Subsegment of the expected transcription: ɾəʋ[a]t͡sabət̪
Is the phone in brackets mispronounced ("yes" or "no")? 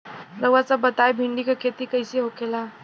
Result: no